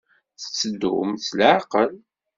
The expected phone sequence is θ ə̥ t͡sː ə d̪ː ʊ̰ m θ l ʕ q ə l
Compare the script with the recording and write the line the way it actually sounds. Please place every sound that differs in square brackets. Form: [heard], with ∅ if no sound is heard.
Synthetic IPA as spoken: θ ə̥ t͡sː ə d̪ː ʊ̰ m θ l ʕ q ə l